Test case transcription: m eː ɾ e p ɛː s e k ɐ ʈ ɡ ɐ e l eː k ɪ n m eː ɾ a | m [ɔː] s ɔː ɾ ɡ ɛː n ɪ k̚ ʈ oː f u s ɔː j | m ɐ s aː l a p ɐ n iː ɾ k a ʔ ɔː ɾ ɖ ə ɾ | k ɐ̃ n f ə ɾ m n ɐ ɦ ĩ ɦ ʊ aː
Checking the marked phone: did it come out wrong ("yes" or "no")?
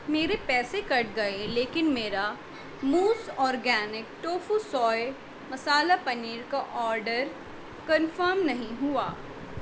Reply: yes